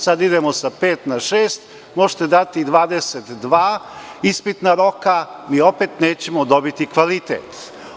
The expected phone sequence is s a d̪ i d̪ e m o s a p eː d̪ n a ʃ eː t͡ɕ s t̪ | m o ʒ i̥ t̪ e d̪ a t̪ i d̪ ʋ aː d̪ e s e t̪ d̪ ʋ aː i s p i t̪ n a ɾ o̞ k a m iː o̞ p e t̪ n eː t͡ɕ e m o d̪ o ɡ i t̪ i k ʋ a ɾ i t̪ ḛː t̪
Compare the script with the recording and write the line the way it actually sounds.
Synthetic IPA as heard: s a d̪ i d̪ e m o s a p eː t̪ n a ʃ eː s t̪ | m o ʒ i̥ t̪ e d̪ a t̪ i d̪ ʋ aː d̪ e s e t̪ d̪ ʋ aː i s p i t̪ n a ɾ o̞ k a m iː o̞ p e t̪ n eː t͡ɕ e m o d̪ o b i t̪ i k ʋ a l i t̪ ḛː t̪

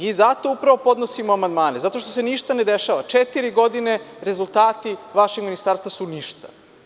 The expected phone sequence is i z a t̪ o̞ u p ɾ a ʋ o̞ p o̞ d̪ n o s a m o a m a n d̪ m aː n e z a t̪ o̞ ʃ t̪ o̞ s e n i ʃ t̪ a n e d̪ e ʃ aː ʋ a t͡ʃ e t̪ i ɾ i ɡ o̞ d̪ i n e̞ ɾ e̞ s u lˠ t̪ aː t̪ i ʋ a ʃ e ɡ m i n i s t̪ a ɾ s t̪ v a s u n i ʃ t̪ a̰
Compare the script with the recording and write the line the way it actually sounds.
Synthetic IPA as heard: i z a t̪ o̞ u p ɾ a ʋ o̞ p o̞ d̪ n o s i m o a m a n d̪ m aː n e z a t̪ o̞ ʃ t̪ o̞ s e n i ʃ t̪ a n e d̪ e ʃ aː ʋ a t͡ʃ e t̪ i ɾ i ɡ o̞ d̪ i n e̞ ɾ e̞ z u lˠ t̪ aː t̪ i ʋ a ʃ e ɡ m i n i s t̪ a ɾ s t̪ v a s u n i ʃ t̪ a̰

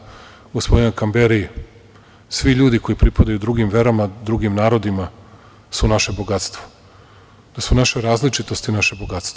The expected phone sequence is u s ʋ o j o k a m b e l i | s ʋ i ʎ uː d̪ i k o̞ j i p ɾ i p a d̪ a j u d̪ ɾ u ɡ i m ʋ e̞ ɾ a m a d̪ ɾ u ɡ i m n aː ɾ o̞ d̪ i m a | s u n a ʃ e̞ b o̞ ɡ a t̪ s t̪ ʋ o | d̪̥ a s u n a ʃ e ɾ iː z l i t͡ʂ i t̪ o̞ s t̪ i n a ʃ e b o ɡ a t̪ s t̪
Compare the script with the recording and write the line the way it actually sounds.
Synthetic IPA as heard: u s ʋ o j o k a m b e ɾ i | s ʋ i ʎ uː d̪ i k o̞ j i p ɾ i p a d̪ a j u d̪ ɾ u ɡ i m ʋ e̞ ɾ a m a d̪ ɾ u ɡ i m n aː ɾ o̞ d̪ i m a | s u n a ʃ e̞ b o̞ ɡ a t̪ s t̪ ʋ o | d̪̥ a s u n a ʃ e ɾ aː z l i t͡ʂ i t̪ o̞ s t̪ i n a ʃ e b o ɡ a t̪ s t̪

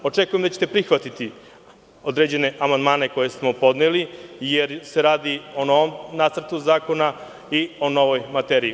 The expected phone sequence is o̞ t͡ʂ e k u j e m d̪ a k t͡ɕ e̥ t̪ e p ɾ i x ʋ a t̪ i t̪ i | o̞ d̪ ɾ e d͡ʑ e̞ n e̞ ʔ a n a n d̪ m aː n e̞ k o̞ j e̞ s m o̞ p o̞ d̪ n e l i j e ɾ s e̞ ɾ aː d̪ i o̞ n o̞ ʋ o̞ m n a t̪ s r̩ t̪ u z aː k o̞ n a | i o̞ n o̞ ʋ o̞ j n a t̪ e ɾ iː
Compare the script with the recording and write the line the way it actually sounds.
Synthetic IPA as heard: o̞ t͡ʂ e k u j e m d̪ a t͡ɕ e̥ t̪ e p ɾ i x ʋ a t̪ i t̪ i | o̞ d̪ ɾ e d͡ʑ e̞ n e̞ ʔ a m a n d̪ m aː n e̞ k o̞ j e̞ s m o̞ p o̞ d̪ n e l i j e ɾ s e̞ ɾ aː d̪ i o̞ n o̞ ʋ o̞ m n a t̪ s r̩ t̪ u z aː k o̞ n a | i o̞ n o̞ ʋ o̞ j m a t̪ e ɾ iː

